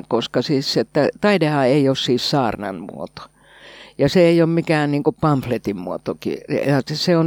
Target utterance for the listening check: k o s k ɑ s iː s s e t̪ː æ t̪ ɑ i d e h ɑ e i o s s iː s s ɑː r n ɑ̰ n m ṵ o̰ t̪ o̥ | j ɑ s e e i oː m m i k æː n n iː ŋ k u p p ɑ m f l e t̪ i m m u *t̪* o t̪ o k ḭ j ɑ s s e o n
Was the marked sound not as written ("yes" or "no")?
yes